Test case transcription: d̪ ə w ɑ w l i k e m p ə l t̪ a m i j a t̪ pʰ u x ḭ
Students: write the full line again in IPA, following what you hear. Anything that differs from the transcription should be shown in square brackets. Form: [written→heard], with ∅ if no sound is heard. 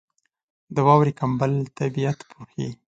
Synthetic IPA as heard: d̪ ə w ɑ w [l→ɾ] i k [e→a] m [p→b] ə l t̪ a [m→b] i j a t̪ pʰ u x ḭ